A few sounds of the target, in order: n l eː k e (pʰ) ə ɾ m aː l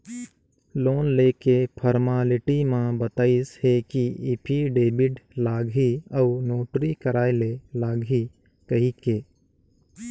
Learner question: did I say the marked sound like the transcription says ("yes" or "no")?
yes